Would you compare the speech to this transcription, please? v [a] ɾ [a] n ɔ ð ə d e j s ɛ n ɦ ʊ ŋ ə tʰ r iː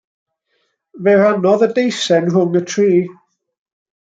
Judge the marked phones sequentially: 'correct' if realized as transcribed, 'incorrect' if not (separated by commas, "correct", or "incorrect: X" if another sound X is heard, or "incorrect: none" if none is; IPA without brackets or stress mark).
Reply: incorrect: ɛ, correct